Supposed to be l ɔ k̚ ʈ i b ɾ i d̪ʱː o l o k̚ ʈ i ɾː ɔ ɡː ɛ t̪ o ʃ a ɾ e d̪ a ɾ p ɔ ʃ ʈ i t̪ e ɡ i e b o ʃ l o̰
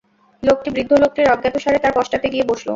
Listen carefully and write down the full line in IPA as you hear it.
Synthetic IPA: l o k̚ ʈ i b ɾ i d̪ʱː o l o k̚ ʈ i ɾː ɔ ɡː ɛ t̪ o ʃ a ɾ e t̪ a ɾ p ɔ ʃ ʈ a t̪ e ɡ i e b o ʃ l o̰

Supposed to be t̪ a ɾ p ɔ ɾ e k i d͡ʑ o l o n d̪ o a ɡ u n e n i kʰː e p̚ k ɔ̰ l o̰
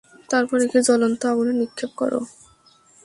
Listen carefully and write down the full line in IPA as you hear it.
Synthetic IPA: t̪ a ɾ p ɔ ɾ e k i d͡ʑ ɔ l o n t̪ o a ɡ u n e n i kʰː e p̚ k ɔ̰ ɾ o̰

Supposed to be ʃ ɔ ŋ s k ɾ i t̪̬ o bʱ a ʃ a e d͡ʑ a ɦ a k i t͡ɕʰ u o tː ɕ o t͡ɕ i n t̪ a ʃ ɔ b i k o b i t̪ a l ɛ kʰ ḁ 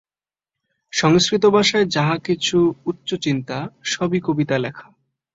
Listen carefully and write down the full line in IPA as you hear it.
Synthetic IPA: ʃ ɔ ŋ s k ɾ i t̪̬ o bʱ a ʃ a e d͡ʑ a ɦ a k i t͡ɕʰ u u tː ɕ o t͡ɕ i n t̪ a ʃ ɔ b i k o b i t̪ a l ɛ kʰ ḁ

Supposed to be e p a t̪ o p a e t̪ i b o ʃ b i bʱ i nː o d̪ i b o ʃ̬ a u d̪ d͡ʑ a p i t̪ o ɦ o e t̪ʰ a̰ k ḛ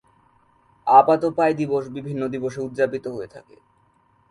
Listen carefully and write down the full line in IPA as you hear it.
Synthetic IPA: a p a t̪ o p a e d̪ i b o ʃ b i bʱ i nː o d̪ i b o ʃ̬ e u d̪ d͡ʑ a p i t̪ o ɦ o e t̪ʰ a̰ k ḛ

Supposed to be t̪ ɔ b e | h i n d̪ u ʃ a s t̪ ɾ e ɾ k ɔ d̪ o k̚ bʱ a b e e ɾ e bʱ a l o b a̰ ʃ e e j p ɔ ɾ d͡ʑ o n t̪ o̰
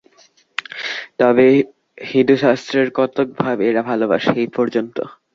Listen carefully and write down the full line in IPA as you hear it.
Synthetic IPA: t̪ ɔ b e | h i n d̪ u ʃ a s t̪ ɾ e ɾ k ɔ t̪ o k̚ bʱ a b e e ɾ a bʱ a l o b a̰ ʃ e e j p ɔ ɾ d͡ʑ o n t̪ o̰

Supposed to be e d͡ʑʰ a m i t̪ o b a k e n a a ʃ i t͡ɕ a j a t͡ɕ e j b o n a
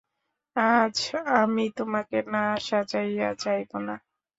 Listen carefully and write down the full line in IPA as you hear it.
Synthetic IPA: a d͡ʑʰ a m i t̪ o m a k e n a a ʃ a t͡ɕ a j a t͡ɕ a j b o n a

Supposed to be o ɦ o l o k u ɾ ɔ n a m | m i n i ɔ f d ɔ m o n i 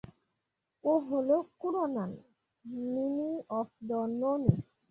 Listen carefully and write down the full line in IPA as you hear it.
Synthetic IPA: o ɦ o l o k u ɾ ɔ n a n | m i n i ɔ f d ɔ n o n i

